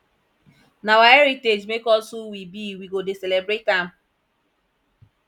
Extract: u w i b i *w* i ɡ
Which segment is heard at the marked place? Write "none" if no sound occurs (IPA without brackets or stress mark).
w